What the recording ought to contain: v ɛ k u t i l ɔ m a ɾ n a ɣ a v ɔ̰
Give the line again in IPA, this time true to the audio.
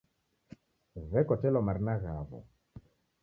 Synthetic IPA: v ɛ k ɔ t ɛ l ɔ m a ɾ n a ɣ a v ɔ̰